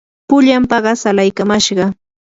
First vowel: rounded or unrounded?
rounded